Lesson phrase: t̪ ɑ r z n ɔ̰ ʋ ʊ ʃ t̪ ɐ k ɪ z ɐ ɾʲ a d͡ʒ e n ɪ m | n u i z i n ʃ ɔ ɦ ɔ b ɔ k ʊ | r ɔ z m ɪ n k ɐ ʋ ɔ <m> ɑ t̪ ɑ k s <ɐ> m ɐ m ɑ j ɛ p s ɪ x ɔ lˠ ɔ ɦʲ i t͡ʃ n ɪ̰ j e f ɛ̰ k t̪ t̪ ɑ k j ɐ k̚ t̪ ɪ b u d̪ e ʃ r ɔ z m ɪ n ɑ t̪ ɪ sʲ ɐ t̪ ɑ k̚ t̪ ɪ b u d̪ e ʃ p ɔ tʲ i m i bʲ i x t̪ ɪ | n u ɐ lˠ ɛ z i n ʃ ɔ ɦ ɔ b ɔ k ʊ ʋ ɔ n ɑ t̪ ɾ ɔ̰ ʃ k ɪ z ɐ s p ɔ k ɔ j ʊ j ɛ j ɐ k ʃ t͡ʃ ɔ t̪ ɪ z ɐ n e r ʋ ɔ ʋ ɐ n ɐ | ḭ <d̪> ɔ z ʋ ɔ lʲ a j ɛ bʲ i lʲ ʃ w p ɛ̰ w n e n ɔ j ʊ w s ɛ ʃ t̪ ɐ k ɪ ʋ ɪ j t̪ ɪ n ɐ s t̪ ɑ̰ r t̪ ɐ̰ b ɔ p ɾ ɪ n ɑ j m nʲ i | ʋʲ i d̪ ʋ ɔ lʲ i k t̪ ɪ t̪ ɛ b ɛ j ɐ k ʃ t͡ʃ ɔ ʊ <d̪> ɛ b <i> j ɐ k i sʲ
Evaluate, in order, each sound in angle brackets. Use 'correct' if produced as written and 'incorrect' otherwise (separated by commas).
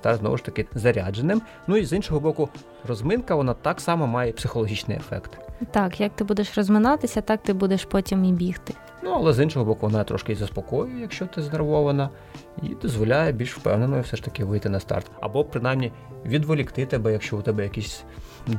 incorrect, incorrect, correct, incorrect, incorrect